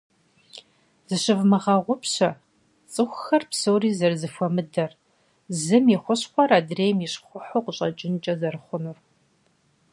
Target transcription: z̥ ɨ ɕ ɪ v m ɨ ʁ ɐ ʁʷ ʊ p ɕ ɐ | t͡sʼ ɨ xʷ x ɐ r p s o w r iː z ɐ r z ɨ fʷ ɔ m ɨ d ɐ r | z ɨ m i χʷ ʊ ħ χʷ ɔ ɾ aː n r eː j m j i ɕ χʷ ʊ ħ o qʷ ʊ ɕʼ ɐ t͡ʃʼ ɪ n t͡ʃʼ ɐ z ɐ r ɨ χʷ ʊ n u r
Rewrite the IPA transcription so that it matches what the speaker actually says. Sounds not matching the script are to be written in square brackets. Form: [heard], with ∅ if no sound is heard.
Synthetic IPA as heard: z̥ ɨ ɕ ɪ v m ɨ ʁ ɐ ʁʷ ʊ p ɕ ɐ | t͡sʼ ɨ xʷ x ɐ r p s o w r iː z ɐ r z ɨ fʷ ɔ m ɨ d ɐ r | z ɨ m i χʷ ʊ [ɕ] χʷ ɔ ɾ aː [d] r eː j m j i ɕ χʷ ʊ ħ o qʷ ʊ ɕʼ ɐ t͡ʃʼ ɪ n t͡ʃʼ ɐ z ɐ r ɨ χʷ ʊ n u r